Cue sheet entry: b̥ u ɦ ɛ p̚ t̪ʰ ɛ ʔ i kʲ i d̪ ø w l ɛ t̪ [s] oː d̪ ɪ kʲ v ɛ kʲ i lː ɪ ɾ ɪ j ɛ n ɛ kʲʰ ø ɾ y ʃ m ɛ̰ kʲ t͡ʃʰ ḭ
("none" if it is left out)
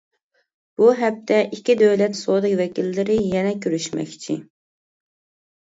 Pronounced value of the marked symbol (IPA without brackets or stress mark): s